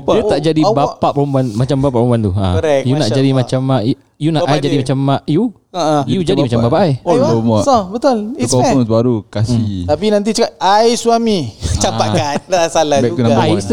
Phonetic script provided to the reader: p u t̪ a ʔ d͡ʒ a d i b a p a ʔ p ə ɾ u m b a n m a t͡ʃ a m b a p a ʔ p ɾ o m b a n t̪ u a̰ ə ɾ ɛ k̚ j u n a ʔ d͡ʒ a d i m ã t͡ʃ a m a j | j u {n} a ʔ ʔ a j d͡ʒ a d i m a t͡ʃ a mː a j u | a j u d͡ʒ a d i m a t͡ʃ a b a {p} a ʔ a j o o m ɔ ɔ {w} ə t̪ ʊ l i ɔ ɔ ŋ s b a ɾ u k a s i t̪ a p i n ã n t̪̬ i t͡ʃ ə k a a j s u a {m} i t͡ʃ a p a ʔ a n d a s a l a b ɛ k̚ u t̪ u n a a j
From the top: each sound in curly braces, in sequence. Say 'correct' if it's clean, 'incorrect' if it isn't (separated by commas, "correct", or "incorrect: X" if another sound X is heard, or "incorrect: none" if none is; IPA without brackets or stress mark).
correct, correct, incorrect: b, correct